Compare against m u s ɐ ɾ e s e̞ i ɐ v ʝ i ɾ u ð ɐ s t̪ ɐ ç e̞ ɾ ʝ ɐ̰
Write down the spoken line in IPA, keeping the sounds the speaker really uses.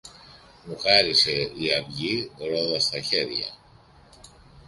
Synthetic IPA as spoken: m u x ɐ ɾ i s e̞ i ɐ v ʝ i ɾ o ð ɐ s t̪ ɐ ç e̞ ɾ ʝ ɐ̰